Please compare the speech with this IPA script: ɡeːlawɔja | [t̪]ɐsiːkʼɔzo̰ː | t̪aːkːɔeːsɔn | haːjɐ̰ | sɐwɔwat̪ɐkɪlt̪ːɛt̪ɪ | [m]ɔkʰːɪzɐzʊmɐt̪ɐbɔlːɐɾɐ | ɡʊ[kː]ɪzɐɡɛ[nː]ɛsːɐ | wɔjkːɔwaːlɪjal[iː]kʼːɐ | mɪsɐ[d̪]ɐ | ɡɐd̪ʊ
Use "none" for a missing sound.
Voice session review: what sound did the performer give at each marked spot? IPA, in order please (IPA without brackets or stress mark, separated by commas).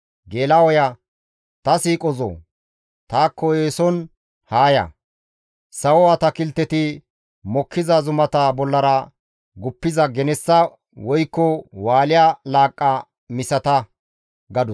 t̪, m, pː, n, aː, t̪